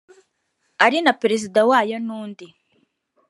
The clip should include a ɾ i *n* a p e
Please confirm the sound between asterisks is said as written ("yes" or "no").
yes